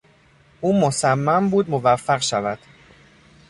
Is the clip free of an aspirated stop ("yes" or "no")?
yes